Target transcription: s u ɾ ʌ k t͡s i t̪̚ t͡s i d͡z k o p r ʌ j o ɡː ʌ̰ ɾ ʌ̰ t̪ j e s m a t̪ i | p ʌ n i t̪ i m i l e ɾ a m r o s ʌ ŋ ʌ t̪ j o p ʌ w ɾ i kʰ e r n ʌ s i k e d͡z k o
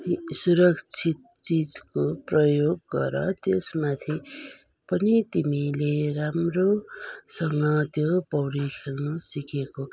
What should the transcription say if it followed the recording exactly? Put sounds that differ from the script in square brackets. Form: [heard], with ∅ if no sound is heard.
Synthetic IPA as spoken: s u ɾ ʌ k [t͡sʰ] i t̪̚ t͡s i d͡z k o p r ʌ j o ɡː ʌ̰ ɾ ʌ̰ t̪ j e s m a [t̪ʰ] i | p ʌ n i t̪ i m i l e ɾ a m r o s ʌ ŋ ʌ t̪ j o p ʌ w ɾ i kʰ e [l] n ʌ s i k e [∅] k o